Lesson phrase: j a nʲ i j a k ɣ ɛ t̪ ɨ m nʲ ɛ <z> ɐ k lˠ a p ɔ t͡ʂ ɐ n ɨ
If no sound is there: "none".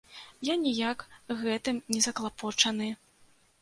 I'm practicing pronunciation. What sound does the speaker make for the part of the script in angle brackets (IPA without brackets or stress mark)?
z